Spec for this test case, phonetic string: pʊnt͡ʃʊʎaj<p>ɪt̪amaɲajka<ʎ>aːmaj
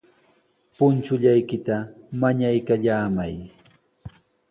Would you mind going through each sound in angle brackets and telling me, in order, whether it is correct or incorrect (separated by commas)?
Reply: incorrect, correct